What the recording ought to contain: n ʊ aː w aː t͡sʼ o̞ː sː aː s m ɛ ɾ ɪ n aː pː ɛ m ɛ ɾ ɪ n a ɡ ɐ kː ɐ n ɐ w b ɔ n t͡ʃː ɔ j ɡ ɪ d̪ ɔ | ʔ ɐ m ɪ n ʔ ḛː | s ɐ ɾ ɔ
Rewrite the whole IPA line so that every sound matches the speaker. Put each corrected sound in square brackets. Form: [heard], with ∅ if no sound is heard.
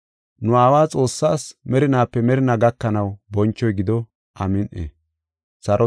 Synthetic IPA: n ʊ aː w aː t͡sʼ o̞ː sː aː s m ɛ ɾ ɪ n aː pː ɛ m ɛ ɾ ɪ n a ɡ ɐ kː ɐ n ɐ w b ɔ n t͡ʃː ɔ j ɡ ɪ d̪ ɔ | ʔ ɐ m ɪ n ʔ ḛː | s ɐ ɾ ɔ